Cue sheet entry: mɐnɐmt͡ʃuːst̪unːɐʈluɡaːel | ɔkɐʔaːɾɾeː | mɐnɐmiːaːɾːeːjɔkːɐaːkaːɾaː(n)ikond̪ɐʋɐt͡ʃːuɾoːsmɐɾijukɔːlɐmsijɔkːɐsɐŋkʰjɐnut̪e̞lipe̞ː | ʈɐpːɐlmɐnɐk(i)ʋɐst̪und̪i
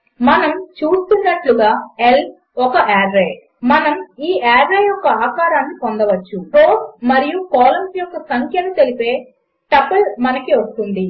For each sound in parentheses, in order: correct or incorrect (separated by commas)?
incorrect, correct